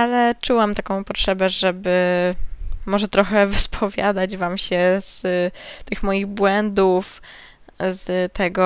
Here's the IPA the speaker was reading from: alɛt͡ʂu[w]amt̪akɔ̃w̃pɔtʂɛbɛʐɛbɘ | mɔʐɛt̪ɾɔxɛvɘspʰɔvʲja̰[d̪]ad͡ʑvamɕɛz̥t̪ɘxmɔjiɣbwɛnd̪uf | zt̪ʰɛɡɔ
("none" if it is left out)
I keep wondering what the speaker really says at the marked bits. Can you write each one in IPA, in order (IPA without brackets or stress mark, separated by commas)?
w, d̪